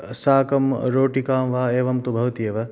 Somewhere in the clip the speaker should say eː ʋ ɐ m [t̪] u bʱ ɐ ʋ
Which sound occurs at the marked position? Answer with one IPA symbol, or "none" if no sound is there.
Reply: t̪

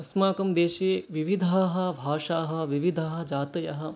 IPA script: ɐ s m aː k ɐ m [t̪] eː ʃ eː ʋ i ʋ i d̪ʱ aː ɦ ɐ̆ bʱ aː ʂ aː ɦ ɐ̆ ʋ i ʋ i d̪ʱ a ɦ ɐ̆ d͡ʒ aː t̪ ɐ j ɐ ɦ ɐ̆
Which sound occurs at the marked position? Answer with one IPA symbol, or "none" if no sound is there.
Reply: d̪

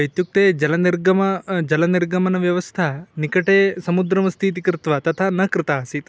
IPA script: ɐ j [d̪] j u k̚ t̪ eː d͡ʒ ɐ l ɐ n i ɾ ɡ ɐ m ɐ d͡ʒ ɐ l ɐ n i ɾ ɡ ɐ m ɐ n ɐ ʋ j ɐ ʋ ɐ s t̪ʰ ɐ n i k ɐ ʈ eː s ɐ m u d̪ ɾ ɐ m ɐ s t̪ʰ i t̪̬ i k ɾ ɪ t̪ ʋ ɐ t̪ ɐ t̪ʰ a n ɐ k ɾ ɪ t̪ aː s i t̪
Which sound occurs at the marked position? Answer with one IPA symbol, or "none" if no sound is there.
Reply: t̪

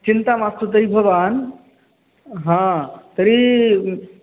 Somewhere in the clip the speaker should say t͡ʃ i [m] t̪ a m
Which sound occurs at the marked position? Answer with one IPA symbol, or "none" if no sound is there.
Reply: n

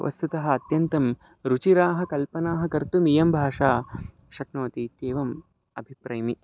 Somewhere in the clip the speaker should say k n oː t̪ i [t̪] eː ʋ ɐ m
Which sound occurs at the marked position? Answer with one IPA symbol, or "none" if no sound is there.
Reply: t̪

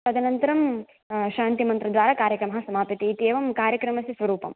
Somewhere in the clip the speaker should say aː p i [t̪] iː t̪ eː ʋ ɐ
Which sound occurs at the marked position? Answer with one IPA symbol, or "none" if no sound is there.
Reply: t̪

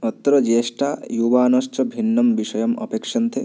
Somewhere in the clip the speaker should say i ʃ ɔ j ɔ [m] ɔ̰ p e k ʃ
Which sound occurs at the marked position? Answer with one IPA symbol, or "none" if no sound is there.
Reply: m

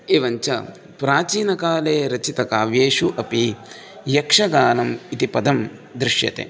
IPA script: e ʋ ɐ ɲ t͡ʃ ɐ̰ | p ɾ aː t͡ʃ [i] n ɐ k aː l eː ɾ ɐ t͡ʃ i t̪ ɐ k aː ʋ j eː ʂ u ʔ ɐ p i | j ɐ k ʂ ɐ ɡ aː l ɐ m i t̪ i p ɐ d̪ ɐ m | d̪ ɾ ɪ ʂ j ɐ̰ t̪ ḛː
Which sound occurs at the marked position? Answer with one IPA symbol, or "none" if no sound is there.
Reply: iː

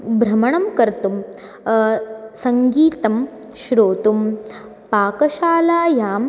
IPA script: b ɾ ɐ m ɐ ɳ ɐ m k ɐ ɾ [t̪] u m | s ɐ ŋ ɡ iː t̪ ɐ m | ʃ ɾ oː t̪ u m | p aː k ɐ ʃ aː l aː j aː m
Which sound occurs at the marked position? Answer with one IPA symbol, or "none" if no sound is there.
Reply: t̪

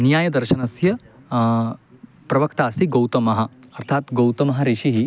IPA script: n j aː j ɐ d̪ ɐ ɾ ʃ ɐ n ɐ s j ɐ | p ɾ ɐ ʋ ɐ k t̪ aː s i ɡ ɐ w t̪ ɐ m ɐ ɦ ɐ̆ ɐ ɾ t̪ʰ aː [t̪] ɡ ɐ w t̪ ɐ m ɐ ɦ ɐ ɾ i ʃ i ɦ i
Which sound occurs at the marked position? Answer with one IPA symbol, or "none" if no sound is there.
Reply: t̪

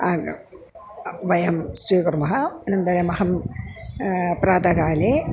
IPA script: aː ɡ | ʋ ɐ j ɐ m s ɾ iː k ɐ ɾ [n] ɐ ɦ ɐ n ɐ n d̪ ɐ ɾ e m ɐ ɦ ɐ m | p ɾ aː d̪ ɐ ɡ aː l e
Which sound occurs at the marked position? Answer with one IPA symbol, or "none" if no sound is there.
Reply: m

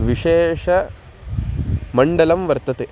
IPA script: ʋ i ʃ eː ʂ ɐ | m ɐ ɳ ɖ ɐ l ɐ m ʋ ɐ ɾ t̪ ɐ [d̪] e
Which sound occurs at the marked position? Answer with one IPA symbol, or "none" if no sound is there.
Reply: t̪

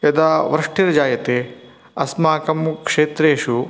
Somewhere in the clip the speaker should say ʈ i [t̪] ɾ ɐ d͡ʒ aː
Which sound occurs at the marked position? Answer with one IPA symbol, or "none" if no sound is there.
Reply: none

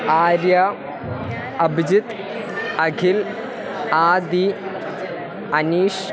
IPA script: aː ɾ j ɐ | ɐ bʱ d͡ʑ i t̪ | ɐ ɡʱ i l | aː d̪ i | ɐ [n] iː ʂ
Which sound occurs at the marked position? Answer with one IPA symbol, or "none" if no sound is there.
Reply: n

